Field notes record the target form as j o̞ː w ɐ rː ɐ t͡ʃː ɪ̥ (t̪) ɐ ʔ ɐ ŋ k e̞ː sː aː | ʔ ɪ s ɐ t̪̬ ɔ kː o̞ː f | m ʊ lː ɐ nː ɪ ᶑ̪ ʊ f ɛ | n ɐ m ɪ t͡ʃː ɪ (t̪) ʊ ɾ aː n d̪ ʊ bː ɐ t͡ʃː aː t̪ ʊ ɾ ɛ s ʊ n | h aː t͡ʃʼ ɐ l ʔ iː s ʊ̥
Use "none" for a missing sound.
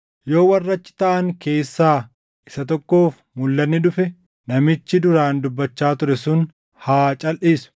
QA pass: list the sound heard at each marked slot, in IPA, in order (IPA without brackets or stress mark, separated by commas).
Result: t̪, d̪